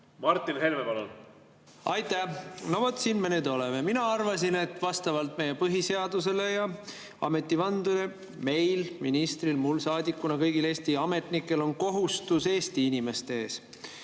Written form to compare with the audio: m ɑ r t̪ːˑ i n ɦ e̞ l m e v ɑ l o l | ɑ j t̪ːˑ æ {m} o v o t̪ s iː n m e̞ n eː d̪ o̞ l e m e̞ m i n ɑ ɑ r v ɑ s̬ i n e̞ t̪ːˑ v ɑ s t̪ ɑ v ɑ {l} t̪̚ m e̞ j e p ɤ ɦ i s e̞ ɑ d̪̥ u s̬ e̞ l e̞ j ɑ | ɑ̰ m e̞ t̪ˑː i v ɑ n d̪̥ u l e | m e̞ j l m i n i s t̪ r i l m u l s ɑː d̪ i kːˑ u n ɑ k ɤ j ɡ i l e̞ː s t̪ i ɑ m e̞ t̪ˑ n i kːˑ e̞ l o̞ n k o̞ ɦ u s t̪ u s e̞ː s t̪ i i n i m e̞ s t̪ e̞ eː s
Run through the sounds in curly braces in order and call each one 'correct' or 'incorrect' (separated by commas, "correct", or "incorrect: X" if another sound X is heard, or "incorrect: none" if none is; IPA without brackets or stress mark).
incorrect: n, correct